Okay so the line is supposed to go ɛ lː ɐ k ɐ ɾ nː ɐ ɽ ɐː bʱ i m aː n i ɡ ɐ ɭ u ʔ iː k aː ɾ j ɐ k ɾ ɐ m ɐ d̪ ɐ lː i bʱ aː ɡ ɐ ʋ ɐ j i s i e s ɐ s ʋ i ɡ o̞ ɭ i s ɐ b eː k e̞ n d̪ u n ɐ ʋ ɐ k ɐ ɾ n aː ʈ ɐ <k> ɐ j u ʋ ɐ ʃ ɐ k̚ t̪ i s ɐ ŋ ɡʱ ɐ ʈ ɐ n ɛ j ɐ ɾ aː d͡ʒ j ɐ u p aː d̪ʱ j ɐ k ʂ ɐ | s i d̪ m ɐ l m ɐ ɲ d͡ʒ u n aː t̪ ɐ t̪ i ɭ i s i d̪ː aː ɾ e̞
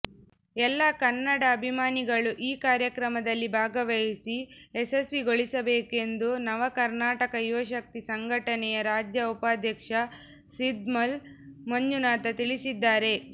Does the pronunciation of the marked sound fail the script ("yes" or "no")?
no